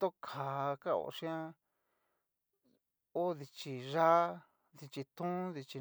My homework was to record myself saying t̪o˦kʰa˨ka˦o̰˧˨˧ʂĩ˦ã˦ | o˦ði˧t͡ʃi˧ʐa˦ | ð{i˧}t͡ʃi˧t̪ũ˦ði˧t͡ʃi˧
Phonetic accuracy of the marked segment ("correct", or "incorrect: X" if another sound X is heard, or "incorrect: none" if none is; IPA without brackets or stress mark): correct